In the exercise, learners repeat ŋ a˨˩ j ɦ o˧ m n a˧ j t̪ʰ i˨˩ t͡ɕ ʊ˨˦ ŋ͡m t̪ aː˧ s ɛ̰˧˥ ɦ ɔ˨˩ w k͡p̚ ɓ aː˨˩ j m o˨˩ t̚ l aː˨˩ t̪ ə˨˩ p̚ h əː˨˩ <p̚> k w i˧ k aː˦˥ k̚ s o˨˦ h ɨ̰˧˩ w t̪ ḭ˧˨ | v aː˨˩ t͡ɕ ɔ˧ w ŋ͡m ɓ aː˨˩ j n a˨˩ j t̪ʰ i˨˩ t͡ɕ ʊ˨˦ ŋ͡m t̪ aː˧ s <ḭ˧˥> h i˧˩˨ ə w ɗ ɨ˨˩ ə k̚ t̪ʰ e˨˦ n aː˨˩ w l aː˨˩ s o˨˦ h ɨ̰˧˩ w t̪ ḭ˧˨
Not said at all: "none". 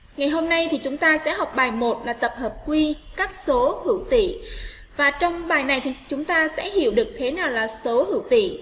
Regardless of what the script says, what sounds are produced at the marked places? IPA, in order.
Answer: p̚, ɛ̰˧˥

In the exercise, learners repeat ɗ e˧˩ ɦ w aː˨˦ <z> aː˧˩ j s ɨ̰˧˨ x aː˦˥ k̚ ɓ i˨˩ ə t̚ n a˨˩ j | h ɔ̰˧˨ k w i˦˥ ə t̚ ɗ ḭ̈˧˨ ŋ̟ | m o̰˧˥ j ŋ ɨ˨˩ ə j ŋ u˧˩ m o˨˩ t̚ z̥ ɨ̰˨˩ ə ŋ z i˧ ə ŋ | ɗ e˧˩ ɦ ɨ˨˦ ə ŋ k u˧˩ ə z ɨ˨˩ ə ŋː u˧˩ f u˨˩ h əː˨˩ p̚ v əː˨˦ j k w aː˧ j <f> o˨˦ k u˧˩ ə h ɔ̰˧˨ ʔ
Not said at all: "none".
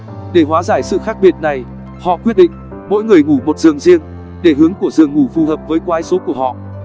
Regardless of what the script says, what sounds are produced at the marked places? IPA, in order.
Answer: z, s

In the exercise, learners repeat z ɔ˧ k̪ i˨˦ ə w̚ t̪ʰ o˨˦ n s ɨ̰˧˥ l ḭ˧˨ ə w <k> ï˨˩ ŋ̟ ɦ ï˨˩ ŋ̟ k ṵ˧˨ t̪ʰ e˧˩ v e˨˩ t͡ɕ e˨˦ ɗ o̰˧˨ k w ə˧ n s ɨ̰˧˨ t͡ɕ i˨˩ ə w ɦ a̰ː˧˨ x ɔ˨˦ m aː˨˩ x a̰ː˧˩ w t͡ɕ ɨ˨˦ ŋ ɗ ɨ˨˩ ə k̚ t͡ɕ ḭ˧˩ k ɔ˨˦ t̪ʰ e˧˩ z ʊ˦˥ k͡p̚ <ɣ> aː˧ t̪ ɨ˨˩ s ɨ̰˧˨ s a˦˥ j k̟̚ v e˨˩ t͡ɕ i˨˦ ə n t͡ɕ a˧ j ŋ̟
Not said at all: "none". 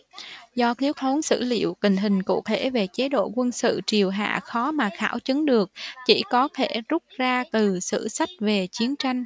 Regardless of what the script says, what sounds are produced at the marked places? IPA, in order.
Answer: k, z

